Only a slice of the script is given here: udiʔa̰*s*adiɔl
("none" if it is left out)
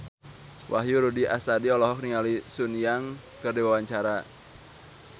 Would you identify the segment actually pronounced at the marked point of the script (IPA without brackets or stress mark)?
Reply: s